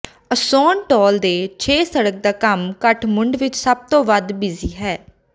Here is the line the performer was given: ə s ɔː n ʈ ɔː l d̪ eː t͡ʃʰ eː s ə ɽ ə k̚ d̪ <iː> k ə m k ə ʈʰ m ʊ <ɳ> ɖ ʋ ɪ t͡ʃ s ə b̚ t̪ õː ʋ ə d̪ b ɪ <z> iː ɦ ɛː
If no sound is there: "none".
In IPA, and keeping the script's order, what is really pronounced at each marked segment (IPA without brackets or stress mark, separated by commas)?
aː, ɳ, z